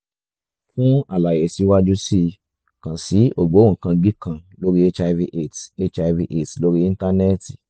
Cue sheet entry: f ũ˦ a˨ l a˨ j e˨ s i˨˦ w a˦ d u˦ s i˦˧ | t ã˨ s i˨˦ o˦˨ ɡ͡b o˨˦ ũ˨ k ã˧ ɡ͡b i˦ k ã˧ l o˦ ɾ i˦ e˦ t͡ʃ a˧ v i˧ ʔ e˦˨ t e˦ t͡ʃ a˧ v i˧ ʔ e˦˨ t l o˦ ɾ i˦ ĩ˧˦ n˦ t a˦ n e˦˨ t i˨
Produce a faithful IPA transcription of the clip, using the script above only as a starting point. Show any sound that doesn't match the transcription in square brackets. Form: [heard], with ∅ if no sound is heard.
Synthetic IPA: f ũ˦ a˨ l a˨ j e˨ s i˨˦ w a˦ [d͡ʒ] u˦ s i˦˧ | [k] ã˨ s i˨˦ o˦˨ ɡ͡b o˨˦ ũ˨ k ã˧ ɡ͡b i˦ k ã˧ l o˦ ɾ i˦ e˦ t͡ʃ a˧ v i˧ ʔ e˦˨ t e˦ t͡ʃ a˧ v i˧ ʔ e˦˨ t l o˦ ɾ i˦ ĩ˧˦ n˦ t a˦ n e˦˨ t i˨